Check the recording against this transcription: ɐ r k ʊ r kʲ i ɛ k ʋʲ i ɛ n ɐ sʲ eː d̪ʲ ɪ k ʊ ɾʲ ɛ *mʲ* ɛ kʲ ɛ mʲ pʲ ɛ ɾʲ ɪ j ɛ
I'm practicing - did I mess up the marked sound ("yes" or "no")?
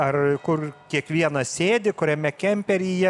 no